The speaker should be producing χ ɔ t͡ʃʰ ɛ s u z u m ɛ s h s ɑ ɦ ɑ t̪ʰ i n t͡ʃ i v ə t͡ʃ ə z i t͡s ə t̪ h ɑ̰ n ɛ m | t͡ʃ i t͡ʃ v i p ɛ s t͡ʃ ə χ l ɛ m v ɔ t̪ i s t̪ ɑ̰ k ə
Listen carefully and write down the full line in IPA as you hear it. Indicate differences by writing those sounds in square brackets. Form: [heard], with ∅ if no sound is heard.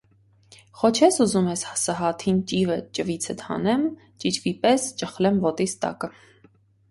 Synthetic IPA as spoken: χ ɔ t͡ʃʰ ɛ s u z u m ɛ s h s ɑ ɦ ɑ t̪ʰ i n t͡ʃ i v ə t͡ʃ ə [v] i [t͡sʰ] ə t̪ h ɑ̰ n ɛ m | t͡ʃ i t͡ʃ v i p ɛ s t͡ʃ ə χ l ɛ m v ɔ t̪ i s t̪ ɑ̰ k ə